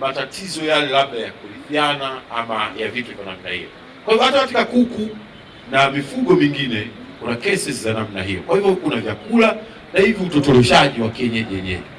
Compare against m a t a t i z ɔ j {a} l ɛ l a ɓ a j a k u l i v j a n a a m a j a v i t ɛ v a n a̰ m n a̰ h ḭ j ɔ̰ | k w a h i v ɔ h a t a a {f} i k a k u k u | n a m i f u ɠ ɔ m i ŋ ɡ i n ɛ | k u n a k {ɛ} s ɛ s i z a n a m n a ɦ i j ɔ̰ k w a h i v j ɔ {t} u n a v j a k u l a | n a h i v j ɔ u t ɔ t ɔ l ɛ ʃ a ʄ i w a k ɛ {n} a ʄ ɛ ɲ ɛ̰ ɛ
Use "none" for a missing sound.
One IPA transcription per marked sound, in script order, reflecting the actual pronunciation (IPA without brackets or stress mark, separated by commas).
a, f, ɛ, k, ɲ